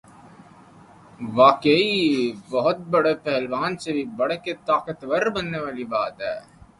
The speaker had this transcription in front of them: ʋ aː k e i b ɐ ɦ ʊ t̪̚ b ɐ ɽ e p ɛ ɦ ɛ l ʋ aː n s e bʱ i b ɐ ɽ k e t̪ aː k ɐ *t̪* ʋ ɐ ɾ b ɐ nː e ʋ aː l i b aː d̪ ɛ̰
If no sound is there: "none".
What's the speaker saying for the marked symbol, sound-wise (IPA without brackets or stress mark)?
t̪